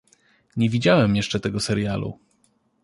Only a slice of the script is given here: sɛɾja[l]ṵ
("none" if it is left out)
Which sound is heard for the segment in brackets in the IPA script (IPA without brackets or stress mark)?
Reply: l